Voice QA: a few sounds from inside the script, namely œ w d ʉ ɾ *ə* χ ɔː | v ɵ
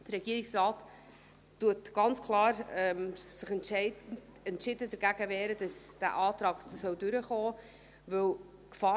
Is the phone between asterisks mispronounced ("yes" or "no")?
no